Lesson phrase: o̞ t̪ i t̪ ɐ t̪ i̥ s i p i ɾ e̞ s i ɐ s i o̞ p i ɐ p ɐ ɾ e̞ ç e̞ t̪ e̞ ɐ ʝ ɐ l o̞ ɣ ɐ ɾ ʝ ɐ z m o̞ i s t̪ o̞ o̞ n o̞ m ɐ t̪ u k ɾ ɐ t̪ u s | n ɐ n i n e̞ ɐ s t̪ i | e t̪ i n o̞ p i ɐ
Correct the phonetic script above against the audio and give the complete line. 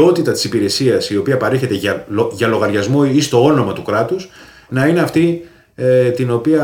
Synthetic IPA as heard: o̞ t̪ i t̪ ɐ t̪ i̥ s i p i ɾ e̞ s i ɐ s i o̞ p i ɐ p ɐ ɾ e̞ ç e̞ t̪ e̞ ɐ ʝ ɐ l o̞ ɣ ɐ ɾ ʝ ɐ z m o̞ i s t̪ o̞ o̞ n o̞ m ɐ t̪ u k ɾ ɐ t̪ u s | n ɐ i n e̞ ɐ f t̪ i | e t̪ i n o̞ p i ɐ